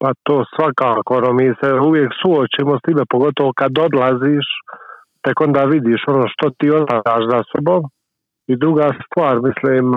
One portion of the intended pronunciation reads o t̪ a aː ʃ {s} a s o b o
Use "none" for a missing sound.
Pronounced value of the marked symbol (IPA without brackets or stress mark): z